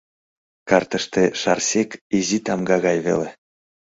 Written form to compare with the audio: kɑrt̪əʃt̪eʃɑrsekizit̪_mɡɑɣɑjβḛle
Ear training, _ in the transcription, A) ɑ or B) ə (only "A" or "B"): A